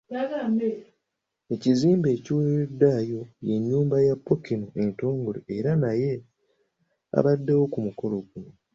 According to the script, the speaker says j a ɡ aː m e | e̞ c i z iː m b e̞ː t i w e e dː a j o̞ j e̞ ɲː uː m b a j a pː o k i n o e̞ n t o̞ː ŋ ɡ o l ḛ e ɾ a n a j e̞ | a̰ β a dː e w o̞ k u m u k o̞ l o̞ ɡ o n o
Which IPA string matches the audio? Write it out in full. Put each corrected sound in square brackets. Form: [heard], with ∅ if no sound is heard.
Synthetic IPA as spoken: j a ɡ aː m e | e̞ c i z iː m b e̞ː [c] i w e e dː a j o̞ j e̞ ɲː uː m b a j a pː o k i n o e̞ n t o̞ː ŋ ɡ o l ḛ e ɾ a n a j e̞ | a̰ β a dː e w o̞ k u m u k o̞ l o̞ ɡ [u] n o